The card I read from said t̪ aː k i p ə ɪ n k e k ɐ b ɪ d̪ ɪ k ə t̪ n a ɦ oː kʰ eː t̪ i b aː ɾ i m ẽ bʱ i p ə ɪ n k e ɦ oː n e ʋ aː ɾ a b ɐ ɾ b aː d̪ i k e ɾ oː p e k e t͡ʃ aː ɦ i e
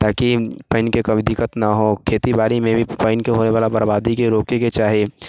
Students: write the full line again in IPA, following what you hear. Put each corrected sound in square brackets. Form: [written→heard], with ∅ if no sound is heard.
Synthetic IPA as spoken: t̪ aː k i p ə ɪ n k e k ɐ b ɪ d̪ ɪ k ə t̪ n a ɦ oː kʰ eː t̪ i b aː ɾ i m ẽ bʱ i p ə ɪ n k e ɦ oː n e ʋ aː [ɾ→l] a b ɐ ɾ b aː d̪ i k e ɾ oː [p→k] e k e t͡ʃ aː ɦ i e